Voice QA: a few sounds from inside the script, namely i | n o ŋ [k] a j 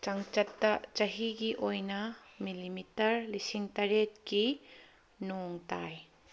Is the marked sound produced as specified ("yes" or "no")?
no